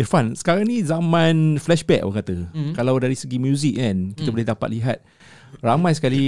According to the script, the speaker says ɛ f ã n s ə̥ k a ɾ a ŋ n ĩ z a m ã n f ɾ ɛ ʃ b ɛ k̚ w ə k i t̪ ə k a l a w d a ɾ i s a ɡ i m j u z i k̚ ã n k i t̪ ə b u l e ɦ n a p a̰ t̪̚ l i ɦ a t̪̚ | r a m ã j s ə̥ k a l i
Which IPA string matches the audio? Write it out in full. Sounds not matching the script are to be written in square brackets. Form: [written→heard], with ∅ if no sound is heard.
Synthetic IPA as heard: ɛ f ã n s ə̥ k a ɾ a ŋ n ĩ z a m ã n f [ɾ→l] ɛ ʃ b ɛ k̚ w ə k [i→a] t̪ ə k a l a w d a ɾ i s [a→ə] ɡ i m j u z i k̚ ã n k i t̪ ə b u l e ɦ [n→d] a p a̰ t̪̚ l i ɦ a t̪̚ | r a m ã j s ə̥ k a l i